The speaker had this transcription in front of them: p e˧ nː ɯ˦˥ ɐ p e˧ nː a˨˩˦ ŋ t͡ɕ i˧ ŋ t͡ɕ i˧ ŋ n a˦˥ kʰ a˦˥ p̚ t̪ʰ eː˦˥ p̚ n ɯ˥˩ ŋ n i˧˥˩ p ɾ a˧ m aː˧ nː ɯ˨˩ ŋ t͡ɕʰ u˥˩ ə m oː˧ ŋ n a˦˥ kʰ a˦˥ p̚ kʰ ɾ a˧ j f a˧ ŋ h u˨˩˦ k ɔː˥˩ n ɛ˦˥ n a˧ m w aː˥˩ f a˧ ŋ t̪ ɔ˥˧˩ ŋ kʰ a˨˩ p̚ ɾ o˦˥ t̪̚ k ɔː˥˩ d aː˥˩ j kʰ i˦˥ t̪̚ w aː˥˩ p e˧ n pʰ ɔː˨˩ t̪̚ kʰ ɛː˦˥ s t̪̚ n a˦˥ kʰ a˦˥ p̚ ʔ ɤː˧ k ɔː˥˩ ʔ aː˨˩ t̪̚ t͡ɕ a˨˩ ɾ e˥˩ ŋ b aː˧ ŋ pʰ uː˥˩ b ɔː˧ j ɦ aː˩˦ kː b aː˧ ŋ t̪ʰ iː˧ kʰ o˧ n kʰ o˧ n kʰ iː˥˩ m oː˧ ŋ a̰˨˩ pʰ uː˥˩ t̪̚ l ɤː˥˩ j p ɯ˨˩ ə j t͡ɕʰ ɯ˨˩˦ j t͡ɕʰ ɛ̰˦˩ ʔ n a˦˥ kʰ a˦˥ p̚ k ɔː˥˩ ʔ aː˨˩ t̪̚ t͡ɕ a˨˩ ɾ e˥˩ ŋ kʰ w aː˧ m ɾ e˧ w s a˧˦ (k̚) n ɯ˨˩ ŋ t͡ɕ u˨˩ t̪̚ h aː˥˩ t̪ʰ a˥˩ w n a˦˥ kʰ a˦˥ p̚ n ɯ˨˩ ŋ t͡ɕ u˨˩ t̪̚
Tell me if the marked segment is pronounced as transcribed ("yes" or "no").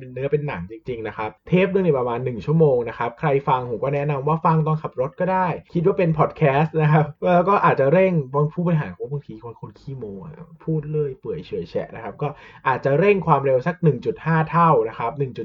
yes